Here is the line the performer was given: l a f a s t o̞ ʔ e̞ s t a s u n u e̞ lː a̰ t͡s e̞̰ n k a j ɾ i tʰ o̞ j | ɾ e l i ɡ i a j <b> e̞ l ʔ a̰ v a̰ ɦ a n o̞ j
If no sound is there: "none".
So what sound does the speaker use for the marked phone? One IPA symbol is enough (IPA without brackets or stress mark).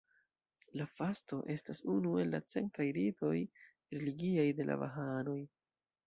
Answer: d